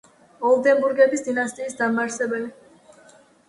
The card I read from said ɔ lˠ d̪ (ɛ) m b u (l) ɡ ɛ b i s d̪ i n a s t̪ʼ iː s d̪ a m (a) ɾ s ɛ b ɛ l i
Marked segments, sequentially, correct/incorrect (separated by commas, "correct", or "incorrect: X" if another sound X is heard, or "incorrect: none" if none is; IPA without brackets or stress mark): correct, incorrect: ɾ, correct